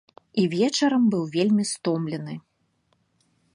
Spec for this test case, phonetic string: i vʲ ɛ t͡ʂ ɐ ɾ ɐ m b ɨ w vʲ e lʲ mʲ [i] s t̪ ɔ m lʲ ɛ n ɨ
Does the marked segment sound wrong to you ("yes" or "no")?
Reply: no